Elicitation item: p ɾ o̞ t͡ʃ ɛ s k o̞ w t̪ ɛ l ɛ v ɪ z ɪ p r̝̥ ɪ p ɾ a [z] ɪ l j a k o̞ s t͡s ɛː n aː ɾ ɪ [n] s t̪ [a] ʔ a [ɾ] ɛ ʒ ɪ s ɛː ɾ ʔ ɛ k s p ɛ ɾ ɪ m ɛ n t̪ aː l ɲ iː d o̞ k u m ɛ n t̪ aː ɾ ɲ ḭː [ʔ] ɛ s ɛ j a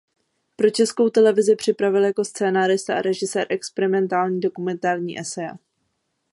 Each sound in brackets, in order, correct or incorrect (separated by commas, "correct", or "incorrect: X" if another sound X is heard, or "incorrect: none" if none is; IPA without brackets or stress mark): incorrect: v, incorrect: none, correct, correct, correct